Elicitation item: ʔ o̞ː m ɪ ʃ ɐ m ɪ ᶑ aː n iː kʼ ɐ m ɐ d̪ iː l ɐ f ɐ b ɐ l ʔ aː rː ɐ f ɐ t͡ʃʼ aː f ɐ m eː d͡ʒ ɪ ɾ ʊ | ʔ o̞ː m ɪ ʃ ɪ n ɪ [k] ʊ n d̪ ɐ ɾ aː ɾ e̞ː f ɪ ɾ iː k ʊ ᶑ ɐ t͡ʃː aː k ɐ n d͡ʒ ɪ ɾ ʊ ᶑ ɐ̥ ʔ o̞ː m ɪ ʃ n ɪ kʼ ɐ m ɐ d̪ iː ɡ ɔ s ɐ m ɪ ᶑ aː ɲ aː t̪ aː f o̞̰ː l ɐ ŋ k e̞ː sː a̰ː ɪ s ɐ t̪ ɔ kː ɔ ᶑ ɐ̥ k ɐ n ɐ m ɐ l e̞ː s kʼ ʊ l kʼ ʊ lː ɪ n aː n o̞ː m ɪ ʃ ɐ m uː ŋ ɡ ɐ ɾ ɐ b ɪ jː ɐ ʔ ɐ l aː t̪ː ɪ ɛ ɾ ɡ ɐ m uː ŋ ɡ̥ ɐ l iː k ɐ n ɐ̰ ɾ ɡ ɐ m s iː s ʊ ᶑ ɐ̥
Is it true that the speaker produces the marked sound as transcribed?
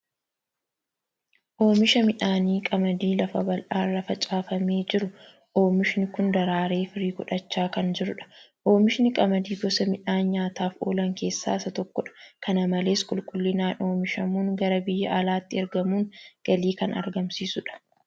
yes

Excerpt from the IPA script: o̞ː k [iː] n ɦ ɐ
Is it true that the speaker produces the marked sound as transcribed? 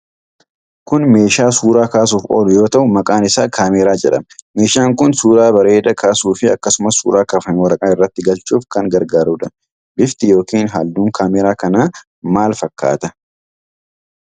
yes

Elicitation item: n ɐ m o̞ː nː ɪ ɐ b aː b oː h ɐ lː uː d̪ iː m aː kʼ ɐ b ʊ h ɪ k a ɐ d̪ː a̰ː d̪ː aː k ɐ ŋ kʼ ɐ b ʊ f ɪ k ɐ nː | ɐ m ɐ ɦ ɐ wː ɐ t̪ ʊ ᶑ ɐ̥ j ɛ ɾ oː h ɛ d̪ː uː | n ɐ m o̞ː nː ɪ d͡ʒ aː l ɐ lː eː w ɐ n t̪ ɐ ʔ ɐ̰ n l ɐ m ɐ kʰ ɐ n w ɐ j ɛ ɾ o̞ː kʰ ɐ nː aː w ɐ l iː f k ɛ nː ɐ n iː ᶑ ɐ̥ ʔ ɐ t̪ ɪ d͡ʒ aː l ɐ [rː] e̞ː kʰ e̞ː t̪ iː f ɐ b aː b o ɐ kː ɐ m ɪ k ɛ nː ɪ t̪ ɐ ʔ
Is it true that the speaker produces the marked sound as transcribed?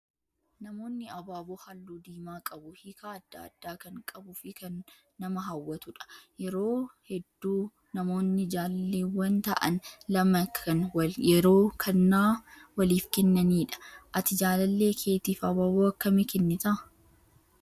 no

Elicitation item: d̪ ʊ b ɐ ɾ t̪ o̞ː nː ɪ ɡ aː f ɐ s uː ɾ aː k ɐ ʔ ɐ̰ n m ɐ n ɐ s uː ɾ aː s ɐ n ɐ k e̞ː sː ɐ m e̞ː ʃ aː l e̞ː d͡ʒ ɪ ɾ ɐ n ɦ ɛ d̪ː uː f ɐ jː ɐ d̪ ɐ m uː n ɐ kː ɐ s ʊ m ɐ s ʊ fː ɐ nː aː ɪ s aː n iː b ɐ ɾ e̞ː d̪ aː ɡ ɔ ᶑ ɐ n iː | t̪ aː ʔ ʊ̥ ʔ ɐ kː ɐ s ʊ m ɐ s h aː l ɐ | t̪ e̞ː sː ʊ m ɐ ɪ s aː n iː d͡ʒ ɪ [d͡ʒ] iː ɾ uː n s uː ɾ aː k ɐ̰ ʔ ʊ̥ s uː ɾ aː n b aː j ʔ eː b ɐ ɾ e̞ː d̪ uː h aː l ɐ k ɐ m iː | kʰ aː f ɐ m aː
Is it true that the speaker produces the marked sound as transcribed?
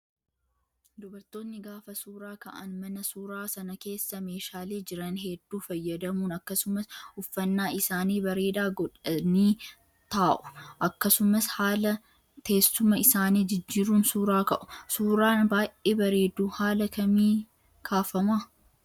no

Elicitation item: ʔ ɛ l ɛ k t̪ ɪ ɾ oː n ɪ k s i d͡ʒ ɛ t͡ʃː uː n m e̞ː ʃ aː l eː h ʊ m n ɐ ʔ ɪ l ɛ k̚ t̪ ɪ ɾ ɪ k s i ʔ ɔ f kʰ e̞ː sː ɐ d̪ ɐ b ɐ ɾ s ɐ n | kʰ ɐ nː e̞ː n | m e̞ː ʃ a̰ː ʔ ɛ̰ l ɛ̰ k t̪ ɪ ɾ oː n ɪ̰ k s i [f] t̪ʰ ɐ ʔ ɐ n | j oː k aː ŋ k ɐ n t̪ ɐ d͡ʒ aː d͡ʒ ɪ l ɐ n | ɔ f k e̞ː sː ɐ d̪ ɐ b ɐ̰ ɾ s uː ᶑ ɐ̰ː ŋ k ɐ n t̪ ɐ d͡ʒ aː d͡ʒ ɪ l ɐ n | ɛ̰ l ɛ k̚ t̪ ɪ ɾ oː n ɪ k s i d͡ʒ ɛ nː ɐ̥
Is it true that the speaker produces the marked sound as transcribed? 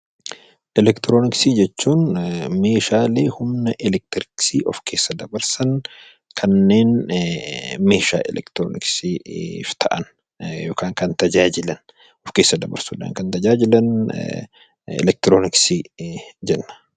yes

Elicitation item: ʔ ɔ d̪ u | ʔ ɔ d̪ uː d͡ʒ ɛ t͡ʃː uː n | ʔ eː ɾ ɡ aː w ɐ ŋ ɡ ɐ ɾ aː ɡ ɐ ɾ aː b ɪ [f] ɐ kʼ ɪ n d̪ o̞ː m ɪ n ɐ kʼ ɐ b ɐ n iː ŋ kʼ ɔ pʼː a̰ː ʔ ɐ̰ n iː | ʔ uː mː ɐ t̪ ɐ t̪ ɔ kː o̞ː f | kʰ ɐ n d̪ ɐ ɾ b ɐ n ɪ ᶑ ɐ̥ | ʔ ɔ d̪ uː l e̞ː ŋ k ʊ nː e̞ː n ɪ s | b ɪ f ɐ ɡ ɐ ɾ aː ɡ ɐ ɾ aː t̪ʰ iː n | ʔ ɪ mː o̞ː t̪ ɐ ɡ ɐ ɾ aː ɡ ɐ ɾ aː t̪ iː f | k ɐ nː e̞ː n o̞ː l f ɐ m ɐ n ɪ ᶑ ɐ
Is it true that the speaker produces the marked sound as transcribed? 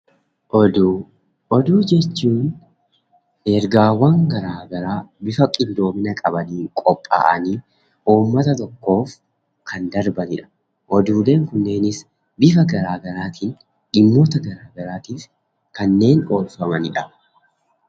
yes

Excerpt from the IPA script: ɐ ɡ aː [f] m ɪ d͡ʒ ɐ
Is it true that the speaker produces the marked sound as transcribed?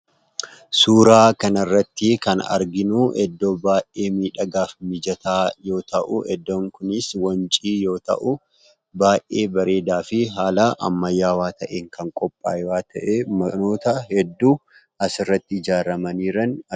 yes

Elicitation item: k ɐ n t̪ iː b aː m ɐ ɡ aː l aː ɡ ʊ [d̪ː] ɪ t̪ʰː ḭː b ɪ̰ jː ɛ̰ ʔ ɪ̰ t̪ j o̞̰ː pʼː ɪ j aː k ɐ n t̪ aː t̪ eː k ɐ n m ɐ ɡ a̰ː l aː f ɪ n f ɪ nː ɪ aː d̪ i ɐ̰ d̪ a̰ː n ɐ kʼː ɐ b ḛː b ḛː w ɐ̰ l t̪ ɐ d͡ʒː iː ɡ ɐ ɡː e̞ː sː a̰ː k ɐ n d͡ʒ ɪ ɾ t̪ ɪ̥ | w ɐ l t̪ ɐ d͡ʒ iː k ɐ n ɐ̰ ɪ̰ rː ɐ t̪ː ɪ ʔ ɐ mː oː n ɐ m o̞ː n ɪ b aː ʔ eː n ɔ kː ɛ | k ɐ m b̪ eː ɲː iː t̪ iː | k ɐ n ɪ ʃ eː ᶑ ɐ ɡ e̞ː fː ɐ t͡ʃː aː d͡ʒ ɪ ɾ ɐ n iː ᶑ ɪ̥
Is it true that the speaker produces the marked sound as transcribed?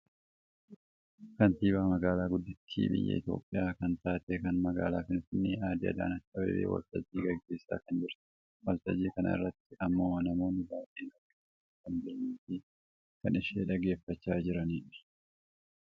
yes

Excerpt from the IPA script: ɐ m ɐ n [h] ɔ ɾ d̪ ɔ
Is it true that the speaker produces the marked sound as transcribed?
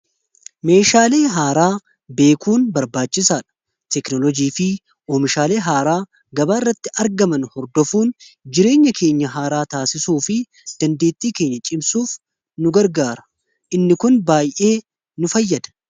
yes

